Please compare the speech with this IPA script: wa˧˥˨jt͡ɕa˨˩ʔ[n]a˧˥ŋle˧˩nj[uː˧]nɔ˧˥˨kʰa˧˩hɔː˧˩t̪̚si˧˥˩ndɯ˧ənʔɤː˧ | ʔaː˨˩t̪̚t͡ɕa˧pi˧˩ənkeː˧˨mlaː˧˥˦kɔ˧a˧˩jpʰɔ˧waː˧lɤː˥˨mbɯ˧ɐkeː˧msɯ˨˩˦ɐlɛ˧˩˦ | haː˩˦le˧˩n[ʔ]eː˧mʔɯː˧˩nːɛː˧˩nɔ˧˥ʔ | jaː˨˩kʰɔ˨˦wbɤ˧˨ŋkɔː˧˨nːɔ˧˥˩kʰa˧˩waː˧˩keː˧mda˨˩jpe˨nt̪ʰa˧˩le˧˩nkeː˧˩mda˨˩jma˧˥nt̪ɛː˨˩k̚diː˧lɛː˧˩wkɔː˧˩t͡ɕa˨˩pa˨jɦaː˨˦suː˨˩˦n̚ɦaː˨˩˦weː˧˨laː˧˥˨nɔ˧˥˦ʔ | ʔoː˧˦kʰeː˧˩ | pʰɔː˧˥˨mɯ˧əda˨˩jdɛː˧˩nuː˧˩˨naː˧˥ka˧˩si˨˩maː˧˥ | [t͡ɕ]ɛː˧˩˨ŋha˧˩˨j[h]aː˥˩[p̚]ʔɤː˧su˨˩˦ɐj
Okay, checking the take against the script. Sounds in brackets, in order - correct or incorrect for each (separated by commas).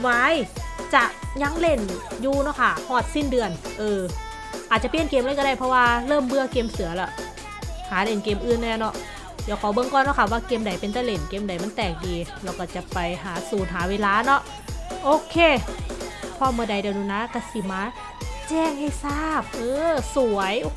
incorrect, correct, incorrect, correct, incorrect, correct